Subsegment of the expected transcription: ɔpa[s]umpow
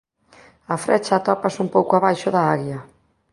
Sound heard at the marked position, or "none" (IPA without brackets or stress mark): s